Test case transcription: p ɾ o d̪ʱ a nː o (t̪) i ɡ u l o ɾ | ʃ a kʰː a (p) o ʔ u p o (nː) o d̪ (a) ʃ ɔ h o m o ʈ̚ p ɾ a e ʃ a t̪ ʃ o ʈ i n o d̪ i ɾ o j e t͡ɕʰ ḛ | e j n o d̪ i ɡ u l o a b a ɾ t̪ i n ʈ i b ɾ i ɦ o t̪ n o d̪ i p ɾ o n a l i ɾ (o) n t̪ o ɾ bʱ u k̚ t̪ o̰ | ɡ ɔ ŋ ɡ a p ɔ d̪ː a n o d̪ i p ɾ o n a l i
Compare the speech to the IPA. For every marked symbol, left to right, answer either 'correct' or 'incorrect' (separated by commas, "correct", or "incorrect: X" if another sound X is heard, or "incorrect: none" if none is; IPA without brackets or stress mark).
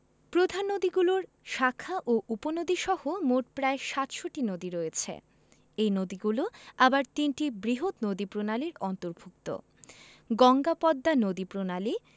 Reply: incorrect: d̪, incorrect: ʔ, incorrect: n, incorrect: i, incorrect: ɔ